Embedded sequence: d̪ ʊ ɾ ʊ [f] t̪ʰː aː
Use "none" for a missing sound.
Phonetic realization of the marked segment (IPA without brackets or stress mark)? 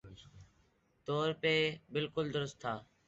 s